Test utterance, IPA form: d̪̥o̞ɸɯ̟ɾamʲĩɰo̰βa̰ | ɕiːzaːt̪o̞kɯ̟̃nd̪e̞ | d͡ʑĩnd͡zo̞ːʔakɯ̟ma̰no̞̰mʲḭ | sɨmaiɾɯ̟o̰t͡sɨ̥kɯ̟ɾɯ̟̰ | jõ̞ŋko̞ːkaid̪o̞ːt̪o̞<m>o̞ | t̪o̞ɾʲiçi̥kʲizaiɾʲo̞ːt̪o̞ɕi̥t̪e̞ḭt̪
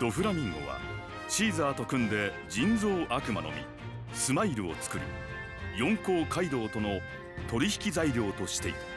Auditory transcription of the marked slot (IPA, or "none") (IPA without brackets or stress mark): n